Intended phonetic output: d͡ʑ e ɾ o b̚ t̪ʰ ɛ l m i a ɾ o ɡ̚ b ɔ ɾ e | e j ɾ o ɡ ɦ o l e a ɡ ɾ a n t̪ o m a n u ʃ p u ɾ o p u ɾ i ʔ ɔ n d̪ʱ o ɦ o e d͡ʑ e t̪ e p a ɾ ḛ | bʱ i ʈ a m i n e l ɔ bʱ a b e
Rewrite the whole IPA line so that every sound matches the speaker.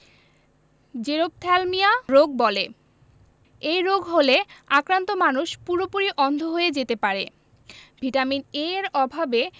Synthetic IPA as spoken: d͡ʑ e ɾ o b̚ t̪ʰ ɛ l m i a ɾ o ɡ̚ b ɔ l e | e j ɾ o ɡ ɦ o l e a k ɾ a n t̪ o m a n u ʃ p u ɾ o p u ɾ i ʔ ɔ n d̪ʱ o ɦ o e d͡ʑ e t̪ e p a ɾ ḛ | bʱ i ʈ a m i n e ɾ ɔ bʱ a b e